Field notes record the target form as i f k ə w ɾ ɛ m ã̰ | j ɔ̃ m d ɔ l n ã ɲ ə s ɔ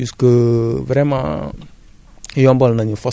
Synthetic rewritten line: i s k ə v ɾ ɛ m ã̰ | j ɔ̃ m b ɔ l n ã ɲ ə f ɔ